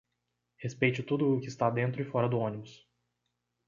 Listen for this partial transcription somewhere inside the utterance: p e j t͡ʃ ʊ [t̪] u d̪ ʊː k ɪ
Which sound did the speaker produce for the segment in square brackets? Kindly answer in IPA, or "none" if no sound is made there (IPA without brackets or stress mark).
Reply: t̪